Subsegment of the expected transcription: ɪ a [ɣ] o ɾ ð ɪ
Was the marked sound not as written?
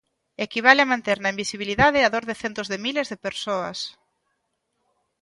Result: yes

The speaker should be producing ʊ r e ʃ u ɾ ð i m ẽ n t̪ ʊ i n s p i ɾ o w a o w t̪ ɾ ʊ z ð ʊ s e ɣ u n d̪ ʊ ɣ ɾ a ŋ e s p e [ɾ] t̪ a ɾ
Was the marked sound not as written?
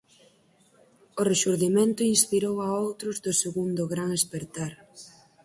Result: no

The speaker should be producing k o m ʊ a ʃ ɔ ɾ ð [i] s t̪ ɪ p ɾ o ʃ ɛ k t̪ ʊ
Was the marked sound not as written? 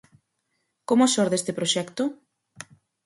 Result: yes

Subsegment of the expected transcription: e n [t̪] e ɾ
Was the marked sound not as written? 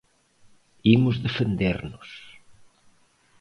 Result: yes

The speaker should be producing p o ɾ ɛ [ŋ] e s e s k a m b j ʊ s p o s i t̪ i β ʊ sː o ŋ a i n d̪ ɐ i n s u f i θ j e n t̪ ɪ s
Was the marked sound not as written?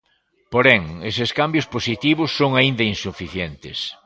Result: no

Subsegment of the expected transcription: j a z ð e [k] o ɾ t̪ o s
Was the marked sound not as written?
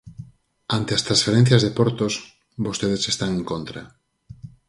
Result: yes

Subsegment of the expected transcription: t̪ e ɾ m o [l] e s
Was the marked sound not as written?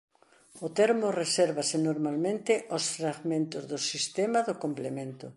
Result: yes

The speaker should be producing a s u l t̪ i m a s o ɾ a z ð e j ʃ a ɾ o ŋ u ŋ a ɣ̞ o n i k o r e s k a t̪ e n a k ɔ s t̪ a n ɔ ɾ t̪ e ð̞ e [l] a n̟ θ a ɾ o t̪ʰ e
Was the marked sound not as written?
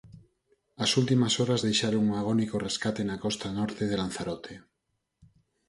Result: no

